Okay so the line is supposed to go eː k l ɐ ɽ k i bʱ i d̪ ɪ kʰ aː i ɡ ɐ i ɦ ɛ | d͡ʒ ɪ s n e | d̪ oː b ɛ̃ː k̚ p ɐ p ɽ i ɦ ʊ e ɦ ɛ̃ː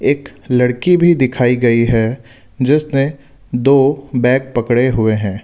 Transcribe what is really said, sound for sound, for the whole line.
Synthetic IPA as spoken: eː k l ɐ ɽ k i bʱ i d̪ ɪ kʰ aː i ɡ ɐ i ɦ ɛ | d͡ʒ ɪ s n e | d̪ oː b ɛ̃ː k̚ p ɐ k ɽ e ɦ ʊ e ɦ ɛ̃ː